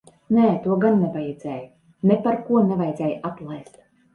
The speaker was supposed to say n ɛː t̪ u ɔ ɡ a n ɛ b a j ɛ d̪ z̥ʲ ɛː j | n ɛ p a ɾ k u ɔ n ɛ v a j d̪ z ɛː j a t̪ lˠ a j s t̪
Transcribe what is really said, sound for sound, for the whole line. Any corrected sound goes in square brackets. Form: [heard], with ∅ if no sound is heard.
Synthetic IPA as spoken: n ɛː t̪ u ɔ ɡ a [nː] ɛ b a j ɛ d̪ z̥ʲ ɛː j | n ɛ p a ɾ k u ɔ n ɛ v a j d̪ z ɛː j a t̪ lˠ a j s t̪